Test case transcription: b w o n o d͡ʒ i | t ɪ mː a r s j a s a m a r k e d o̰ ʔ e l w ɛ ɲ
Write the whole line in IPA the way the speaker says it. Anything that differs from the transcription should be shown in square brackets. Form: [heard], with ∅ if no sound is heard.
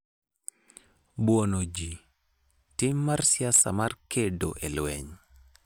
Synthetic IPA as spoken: b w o n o d͡ʒ i | t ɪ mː a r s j a s a m a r k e d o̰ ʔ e l w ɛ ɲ